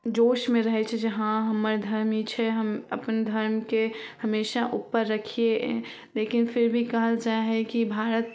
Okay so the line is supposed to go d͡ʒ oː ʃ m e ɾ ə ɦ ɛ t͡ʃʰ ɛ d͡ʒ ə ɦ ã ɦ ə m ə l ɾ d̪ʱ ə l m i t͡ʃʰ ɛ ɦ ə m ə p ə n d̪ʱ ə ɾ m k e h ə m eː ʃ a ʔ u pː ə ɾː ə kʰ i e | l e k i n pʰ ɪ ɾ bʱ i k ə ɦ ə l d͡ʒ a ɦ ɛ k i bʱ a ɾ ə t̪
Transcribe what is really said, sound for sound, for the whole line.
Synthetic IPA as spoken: d͡ʒ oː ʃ m e ɾ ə ɦ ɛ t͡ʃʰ ɛ d͡ʒ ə ɦ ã ɦ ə m ə ɾ d̪ʱ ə ɾ m i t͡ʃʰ ɛ ɦ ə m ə p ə n d̪ʱ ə ɾ m k e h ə m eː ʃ a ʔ u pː ə ɾː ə kʰ i e | l e k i n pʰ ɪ ɾ bʱ i k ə ɦ ə l d͡ʒ a ɦ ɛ k i bʱ a ɾ ə t̪